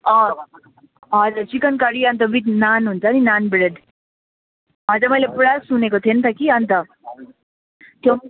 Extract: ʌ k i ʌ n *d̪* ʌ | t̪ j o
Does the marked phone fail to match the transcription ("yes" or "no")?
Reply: yes